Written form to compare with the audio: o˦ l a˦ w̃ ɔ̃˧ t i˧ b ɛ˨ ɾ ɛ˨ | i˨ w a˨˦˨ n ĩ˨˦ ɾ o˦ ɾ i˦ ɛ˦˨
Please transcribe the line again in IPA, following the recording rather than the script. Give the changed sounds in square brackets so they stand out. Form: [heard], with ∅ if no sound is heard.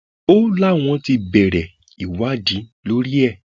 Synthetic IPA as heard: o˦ l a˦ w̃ ɔ̃˧ t i˧ b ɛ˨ ɾ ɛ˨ | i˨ w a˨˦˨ [d] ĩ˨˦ [l] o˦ ɾ i˦ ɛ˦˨